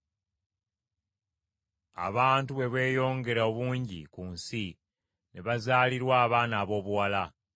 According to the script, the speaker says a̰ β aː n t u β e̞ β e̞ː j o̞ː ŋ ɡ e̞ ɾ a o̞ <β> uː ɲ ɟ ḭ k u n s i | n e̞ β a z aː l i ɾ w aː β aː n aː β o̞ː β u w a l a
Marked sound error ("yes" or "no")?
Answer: no